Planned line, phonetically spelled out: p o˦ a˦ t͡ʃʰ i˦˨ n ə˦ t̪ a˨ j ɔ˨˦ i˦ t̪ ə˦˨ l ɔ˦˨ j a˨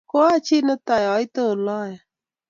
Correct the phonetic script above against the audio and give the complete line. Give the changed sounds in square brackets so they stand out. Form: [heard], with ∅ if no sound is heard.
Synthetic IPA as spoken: [k] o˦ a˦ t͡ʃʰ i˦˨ n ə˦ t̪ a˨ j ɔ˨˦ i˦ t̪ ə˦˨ l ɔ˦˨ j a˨